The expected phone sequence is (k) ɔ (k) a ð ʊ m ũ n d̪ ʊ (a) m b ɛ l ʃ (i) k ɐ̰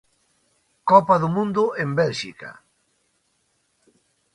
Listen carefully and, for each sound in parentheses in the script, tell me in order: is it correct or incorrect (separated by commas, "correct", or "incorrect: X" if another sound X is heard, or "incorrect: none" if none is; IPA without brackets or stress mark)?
correct, incorrect: p, incorrect: e, correct